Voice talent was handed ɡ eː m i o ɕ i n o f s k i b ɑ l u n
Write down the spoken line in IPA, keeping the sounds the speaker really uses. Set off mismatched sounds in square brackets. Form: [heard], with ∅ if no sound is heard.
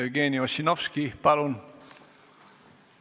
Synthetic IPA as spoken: ɡ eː [n] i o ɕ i n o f s k i [p] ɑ l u n